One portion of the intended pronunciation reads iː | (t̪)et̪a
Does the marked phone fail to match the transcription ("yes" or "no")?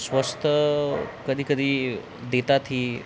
yes